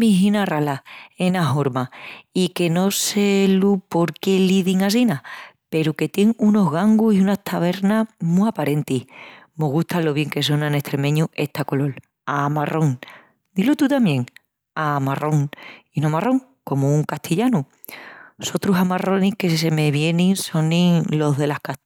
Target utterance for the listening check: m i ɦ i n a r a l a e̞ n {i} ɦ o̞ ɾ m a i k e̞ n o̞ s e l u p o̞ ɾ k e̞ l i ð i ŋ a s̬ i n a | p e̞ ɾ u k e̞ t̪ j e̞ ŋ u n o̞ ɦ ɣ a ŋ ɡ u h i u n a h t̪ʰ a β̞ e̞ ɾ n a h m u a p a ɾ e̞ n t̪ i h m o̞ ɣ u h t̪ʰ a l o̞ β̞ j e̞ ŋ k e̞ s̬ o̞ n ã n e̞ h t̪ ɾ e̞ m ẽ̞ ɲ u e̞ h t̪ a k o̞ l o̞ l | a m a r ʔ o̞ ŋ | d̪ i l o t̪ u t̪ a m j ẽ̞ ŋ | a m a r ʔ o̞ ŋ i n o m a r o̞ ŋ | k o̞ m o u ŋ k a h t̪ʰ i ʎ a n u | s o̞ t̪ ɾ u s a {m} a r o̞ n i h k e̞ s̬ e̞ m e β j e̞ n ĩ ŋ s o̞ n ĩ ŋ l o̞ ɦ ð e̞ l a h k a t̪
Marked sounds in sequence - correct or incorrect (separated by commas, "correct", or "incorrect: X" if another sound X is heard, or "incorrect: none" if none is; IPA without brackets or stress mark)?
incorrect: a, correct